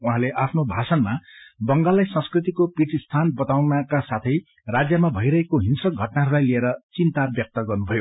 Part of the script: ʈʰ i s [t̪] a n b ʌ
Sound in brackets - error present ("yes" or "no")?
yes